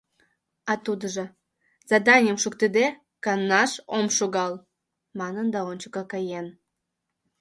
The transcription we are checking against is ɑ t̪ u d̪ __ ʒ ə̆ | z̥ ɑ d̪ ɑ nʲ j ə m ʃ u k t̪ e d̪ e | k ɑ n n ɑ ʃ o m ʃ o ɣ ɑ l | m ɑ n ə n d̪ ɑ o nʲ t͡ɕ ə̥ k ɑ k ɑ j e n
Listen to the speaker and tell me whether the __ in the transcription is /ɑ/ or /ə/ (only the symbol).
ə